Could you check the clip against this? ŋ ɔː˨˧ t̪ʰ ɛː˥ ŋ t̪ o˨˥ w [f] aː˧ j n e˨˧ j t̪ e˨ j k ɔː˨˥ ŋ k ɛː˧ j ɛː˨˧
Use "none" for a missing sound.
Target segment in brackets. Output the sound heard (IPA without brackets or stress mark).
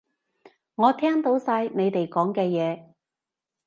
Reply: s